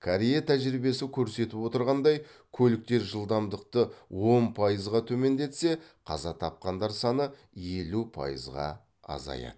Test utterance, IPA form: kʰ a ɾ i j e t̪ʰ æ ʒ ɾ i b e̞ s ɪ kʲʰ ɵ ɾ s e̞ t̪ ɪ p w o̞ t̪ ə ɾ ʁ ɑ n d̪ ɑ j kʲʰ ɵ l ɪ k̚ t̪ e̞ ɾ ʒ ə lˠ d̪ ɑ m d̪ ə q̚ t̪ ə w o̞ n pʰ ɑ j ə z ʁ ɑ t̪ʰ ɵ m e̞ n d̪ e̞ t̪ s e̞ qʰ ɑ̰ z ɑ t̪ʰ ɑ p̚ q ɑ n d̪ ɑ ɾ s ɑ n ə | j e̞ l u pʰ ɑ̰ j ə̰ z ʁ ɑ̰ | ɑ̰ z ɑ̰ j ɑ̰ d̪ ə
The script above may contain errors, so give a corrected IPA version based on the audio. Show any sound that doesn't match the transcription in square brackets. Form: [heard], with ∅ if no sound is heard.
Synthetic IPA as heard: kʰ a ɾ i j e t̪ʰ æ ʒ ɾ i b e̞ s ɪ kʲʰ ɵ ɾ s e̞ t̪ ɪ p w o̞ t̪ ə ɾ ʁ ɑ n d̪ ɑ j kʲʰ ɵ l ɪ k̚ t̪ e̞ ɾ ʒ ə lˠ d̪ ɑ m d̪ ə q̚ t̪ ə w o̞ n pʰ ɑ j ə z ʁ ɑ t̪ʰ ɵ m e̞ n d̪ e̞ t̪ s e̞ qʰ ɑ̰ z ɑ t̪ʰ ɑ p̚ q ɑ n d̪ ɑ ɾ s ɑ n ə | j e̞ l u pʰ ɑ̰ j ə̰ z ʁ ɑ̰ | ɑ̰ z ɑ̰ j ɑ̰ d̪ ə